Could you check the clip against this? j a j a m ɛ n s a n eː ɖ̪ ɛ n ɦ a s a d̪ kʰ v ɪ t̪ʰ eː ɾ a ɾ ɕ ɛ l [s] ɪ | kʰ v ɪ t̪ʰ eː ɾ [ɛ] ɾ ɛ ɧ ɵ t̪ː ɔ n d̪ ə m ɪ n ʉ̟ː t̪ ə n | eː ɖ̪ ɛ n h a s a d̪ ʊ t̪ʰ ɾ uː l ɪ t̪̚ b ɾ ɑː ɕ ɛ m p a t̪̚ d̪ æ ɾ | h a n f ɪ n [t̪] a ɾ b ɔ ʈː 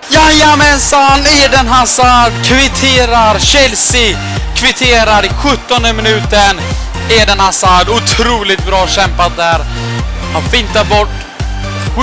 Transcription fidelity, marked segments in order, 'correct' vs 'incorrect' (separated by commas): correct, incorrect, correct